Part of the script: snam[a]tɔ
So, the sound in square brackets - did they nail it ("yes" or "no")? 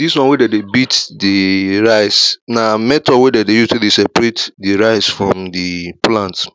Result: no